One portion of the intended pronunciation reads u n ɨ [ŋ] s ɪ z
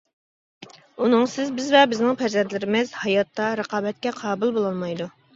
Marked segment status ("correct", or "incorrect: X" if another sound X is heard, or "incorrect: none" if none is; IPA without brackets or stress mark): correct